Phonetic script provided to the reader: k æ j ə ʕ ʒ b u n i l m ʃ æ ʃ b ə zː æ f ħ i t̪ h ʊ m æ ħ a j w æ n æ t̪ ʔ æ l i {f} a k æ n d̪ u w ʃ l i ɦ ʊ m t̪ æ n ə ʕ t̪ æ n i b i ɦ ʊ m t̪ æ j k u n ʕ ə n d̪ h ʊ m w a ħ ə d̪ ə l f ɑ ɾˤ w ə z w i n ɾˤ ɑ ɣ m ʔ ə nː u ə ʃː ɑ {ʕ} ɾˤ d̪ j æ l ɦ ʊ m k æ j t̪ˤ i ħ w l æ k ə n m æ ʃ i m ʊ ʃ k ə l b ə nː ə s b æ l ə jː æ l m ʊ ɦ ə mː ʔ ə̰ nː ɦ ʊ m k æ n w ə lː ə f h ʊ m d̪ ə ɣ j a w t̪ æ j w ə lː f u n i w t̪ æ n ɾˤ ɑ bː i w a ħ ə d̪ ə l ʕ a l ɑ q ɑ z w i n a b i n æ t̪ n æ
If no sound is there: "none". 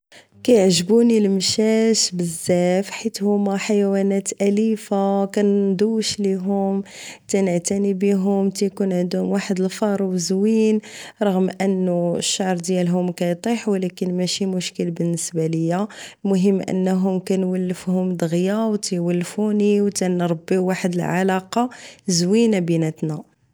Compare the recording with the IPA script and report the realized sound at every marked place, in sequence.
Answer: f, ʕ

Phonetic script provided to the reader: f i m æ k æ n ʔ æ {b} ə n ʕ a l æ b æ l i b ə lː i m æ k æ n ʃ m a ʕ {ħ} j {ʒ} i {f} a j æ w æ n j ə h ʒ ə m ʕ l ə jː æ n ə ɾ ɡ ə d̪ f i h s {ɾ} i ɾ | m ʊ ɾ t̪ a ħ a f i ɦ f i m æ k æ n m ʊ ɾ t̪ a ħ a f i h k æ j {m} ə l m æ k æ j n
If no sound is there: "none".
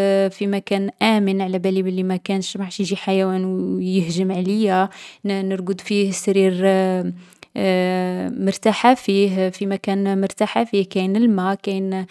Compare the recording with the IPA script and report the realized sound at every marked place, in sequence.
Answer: m, ʃ, ʒ, ħ, ɾ, n

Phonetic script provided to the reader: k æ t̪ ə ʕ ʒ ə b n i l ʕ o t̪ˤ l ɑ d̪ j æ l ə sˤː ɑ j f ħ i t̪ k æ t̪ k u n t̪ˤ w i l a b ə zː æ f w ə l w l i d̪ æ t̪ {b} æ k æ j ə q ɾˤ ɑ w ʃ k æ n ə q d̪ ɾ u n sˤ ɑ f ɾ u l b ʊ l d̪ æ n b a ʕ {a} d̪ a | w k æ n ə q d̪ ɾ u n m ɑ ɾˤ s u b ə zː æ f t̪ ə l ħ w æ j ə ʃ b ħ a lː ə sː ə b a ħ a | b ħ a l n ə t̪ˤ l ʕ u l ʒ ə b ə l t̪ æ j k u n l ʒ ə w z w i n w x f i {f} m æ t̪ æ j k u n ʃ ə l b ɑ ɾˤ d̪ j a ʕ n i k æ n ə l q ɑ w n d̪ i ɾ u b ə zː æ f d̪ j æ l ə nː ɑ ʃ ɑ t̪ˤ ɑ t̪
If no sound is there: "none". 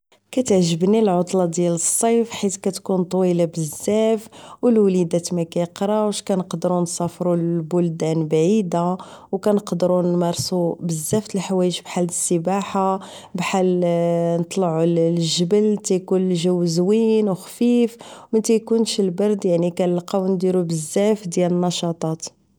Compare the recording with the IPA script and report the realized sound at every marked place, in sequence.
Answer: m, i, f

